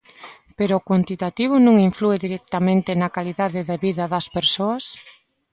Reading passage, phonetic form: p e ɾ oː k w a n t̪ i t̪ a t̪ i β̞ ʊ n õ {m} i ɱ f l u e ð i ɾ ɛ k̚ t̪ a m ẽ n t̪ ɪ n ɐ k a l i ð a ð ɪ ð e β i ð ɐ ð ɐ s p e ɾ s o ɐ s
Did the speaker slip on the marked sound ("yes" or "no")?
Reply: yes